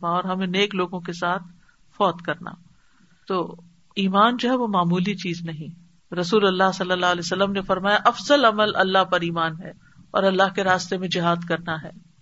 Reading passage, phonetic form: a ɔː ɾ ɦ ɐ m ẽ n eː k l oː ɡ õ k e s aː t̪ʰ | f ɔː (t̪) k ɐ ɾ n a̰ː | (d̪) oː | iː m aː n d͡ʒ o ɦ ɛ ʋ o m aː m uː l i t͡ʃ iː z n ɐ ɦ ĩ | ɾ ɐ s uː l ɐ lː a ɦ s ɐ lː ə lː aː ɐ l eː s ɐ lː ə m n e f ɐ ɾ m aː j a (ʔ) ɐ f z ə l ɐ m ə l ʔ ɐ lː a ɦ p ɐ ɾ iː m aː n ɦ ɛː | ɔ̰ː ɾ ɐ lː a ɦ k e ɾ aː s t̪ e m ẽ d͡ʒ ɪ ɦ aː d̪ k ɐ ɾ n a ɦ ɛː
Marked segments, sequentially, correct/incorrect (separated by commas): correct, incorrect, correct